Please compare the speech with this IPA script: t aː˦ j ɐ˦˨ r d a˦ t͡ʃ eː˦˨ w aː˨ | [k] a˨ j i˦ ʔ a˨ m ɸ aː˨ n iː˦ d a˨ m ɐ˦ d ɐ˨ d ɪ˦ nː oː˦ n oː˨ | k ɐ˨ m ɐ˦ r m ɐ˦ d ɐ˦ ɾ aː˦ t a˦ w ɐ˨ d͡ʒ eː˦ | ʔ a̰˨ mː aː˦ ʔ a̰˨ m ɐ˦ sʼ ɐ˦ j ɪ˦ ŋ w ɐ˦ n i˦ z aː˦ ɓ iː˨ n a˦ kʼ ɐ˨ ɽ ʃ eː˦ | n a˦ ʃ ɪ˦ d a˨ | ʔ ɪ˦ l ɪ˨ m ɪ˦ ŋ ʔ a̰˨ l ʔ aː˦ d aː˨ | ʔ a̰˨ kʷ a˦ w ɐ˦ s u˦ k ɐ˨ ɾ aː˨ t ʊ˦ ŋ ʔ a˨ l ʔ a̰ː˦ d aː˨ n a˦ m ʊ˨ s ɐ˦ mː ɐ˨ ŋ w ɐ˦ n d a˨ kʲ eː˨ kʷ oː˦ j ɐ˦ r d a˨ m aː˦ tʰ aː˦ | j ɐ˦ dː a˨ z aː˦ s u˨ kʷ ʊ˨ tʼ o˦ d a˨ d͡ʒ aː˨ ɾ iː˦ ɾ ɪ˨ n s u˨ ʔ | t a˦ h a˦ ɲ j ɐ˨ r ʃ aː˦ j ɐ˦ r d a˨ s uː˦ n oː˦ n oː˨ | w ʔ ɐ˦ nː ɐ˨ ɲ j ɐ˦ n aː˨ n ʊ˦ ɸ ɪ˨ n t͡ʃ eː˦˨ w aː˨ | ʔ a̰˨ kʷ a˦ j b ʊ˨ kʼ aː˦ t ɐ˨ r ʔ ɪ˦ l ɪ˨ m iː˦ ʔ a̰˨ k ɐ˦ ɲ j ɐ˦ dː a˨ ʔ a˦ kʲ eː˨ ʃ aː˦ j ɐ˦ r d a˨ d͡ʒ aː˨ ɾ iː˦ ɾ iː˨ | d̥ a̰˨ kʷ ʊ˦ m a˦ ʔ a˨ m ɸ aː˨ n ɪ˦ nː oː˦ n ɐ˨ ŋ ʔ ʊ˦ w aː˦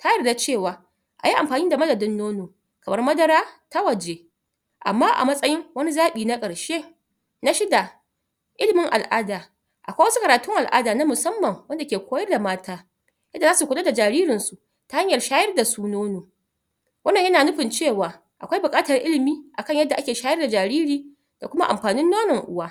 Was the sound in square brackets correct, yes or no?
no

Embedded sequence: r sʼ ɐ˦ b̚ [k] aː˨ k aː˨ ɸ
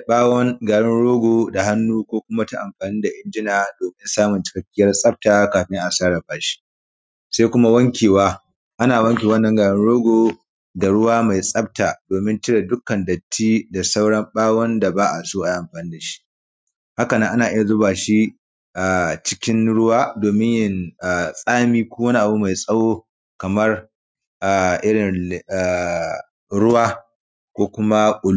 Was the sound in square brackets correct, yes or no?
no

